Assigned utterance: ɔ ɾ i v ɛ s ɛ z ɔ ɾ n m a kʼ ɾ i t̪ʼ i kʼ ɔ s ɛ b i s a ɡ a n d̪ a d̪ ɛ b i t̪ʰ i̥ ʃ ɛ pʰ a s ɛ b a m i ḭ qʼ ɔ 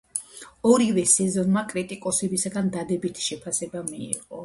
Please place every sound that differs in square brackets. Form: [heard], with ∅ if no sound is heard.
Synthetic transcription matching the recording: ɔ ɾ i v ɛ s ɛ z ɔ [∅] n m a kʼ ɾ i t̪ʼ i kʼ ɔ s ɛ b i s a ɡ a n d̪ a d̪ ɛ b i t̪ʰ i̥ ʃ ɛ pʰ a s ɛ b a m i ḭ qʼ ɔ